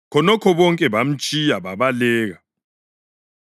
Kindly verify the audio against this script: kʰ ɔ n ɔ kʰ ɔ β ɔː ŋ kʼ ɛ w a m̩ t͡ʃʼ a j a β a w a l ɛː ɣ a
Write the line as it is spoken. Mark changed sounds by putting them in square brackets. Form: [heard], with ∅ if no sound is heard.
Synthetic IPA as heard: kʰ ɔ n ɔ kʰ ɔ β [ɔ] ŋ kʼ ɛ [β] a m̩ t͡ʃʼ [i] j a β a [β] a l ɛː ɣ a